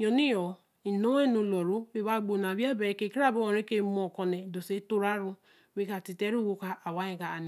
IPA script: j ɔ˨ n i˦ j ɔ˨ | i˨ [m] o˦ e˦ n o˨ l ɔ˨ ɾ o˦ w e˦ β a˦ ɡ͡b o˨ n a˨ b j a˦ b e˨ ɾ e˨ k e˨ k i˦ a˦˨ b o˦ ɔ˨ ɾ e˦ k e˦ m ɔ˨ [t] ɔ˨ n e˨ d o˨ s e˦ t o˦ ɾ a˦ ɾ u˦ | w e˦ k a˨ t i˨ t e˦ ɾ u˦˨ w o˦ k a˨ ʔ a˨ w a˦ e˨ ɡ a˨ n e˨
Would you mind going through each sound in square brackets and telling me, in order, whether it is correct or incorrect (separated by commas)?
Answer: incorrect, incorrect